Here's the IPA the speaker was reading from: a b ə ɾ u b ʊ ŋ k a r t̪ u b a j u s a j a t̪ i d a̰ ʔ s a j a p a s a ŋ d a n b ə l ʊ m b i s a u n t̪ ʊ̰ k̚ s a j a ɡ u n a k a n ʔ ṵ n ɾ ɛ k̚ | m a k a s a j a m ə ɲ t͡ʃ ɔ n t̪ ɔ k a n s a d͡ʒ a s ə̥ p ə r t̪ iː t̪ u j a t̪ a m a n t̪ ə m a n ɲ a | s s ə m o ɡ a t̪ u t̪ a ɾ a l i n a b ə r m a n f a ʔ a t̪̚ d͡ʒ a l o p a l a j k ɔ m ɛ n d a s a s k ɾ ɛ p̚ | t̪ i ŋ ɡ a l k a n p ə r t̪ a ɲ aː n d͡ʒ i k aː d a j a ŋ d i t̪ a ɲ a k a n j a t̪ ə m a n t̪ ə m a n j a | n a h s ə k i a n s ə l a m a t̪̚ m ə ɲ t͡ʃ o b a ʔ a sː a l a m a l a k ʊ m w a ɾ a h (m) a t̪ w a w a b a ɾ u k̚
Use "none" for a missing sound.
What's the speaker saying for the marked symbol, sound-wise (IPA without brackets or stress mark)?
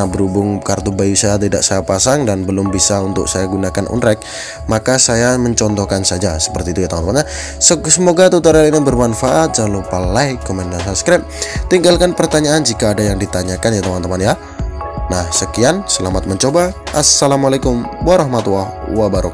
m